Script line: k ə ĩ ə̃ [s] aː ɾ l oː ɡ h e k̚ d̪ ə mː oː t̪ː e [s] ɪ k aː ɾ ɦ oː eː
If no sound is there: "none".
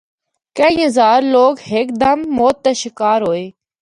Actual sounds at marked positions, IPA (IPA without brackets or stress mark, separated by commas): z, ʃ